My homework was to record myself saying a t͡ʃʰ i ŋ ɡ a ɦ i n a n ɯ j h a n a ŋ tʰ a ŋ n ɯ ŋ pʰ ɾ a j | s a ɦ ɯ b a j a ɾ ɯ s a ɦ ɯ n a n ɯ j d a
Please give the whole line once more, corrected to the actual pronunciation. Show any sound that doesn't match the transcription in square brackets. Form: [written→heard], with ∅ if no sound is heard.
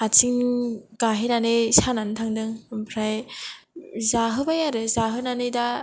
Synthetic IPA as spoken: a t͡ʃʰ i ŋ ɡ a ɦ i n a n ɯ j [h→s] a n a [ŋ→n] tʰ a ŋ [n→d] ɯ ŋ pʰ ɾ a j | [s→z] a ɦ ɯ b a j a ɾ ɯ [s→z] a ɦ ɯ n a n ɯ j d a

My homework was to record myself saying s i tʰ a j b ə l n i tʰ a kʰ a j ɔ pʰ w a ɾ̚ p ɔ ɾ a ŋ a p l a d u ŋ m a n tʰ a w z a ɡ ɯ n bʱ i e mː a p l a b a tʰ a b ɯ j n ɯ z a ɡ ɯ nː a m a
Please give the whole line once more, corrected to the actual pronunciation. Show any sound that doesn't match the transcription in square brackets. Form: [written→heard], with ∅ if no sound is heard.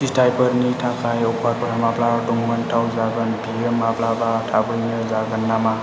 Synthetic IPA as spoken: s i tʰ a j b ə [l→ɾ] n i tʰ a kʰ a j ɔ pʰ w a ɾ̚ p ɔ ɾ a [ŋ→m] a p l a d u ŋ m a n tʰ a w z a ɡ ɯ n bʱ i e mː a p l a b a tʰ a b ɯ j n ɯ z a ɡ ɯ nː a m a

